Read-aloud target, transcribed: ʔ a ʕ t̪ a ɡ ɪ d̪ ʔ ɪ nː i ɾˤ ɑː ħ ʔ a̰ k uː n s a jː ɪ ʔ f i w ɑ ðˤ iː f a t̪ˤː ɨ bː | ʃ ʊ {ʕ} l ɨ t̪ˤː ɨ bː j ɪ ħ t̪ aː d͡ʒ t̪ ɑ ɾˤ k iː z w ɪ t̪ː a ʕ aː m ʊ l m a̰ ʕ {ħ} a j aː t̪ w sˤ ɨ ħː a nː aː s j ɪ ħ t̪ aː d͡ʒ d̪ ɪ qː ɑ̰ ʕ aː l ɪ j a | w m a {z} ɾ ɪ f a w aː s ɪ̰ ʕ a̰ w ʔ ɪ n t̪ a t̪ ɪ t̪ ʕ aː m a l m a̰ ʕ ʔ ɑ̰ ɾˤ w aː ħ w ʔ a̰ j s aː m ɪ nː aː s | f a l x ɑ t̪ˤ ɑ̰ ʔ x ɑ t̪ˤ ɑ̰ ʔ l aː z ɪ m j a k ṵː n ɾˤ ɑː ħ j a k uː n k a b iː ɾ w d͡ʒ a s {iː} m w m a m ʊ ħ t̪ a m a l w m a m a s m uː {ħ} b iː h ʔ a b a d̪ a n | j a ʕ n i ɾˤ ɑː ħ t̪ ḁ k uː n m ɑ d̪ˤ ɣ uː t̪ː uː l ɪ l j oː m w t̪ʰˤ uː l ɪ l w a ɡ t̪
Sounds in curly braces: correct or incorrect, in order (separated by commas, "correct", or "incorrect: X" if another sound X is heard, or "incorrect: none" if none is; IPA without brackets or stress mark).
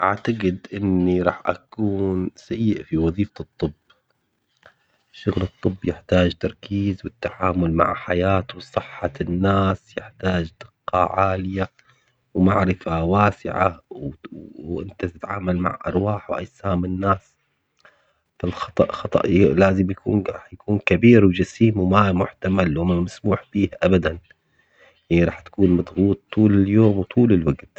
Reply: incorrect: ɣ, correct, incorrect: ʕ, correct, correct